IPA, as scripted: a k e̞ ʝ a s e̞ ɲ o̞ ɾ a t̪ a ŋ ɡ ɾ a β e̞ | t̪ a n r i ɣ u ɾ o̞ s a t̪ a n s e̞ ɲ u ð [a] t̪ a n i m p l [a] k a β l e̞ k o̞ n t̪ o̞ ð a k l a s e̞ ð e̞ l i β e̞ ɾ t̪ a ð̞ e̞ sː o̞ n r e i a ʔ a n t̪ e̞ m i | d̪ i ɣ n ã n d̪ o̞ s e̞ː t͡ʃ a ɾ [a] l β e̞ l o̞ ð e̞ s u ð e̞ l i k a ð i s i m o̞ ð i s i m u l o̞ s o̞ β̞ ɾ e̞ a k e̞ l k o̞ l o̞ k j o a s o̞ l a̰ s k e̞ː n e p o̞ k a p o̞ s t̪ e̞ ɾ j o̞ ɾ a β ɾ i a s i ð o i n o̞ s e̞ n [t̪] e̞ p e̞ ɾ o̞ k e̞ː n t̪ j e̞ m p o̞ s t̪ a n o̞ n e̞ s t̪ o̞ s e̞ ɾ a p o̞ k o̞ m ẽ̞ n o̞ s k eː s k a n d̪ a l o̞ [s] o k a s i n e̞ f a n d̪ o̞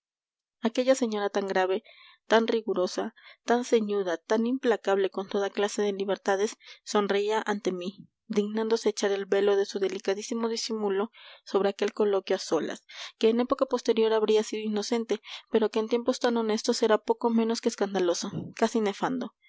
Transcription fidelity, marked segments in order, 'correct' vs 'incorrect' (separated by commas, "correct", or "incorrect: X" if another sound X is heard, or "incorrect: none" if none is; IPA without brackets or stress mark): correct, correct, incorrect: e, correct, correct